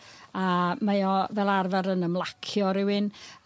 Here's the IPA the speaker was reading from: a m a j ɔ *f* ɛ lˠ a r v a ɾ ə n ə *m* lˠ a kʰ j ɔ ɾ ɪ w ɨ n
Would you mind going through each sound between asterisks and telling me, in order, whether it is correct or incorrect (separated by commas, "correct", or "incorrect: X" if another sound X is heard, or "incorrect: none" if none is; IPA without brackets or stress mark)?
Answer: incorrect: v, correct